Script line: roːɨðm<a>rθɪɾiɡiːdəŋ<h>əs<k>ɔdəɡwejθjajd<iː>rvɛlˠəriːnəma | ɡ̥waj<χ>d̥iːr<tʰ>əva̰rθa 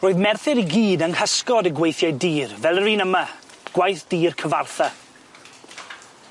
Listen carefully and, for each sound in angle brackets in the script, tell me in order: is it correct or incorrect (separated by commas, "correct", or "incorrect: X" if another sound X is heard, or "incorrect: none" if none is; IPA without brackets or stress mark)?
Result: incorrect: ɛ, correct, correct, correct, incorrect: θ, incorrect: kʰ